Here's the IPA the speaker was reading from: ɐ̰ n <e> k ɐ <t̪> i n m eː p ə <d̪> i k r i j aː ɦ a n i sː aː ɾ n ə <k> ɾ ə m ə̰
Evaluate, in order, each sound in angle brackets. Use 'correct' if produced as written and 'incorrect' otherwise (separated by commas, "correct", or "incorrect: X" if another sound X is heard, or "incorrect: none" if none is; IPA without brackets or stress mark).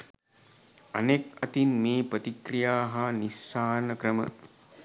correct, correct, incorrect: t̪, correct